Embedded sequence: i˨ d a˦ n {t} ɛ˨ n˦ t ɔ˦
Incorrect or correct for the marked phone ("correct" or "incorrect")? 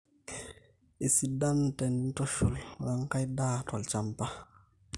correct